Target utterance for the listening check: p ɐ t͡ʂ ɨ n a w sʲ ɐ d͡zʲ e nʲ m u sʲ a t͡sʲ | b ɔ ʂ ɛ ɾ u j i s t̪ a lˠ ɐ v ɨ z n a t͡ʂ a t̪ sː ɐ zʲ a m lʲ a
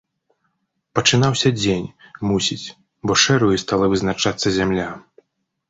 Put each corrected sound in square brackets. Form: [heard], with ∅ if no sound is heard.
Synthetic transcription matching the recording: p ɐ t͡ʂ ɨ n a w sʲ ɐ d͡zʲ e nʲ m u sʲ [i] t͡sʲ | b ɔ ʂ ɛ ɾ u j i s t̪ a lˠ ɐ v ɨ z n a t͡ʂ a t̪ sː ɐ zʲ a m lʲ a

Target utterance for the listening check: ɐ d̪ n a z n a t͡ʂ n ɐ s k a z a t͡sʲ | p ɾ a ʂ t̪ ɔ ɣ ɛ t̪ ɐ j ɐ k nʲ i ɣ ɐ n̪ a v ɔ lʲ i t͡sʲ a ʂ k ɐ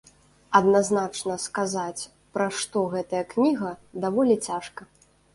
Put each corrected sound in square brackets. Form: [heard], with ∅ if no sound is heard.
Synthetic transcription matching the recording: ɐ d̪ n a z n a t͡ʂ n ɐ s k a z a t͡sʲ | p ɾ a ʂ t̪ ɔ ɣ ɛ t̪ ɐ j ɐ k nʲ i ɣ ɐ [d̪] a v ɔ lʲ i t͡sʲ a ʂ k ɐ

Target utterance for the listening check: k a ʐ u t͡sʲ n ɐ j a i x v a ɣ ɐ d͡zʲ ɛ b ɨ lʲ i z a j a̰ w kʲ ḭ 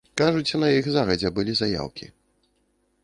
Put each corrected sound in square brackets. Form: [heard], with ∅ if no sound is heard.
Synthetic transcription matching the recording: k a ʐ u t͡sʲ n ɐ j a i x [z] a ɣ ɐ d͡zʲ ɛ b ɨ lʲ i z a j a̰ w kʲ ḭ

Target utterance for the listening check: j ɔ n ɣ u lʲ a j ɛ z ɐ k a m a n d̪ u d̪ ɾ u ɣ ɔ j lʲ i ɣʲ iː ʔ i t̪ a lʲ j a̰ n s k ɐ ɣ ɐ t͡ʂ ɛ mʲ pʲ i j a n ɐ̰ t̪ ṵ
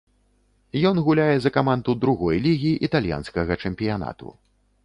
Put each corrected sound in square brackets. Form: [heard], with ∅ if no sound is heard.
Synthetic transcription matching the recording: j ɔ n ɣ u lʲ a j ɛ z ɐ k a m a n d̪ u d̪ ɾ u ɣ ɔ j lʲ i ɣʲ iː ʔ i t̪ a lʲ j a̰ n s k ɐ ɣ ɐ t͡ʂ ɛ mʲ pʲ i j a n [a̰] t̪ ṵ

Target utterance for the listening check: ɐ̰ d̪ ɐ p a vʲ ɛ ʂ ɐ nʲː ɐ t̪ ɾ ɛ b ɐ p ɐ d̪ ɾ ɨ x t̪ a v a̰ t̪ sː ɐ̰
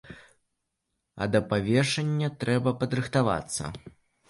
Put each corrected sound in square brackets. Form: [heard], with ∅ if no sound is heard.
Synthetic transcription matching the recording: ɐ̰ d̪ ɐ p a vʲ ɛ ʂ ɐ nʲː ɐ t̪ ɾ ɛ b ɐ p ɐ d̪ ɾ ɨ x t̪ a v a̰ t̪ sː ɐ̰

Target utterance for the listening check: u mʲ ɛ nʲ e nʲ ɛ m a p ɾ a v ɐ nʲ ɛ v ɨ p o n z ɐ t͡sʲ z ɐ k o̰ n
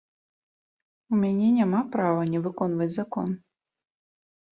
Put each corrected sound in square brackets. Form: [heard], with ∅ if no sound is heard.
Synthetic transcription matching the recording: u mʲ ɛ nʲ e nʲ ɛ m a p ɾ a v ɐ nʲ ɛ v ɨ [k] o n [v] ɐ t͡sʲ z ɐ k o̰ n

